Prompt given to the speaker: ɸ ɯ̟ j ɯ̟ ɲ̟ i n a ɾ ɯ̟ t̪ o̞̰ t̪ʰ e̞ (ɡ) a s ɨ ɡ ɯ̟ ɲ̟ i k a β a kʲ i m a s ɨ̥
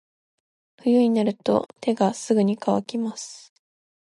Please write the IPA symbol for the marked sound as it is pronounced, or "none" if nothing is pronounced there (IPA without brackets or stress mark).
ɡ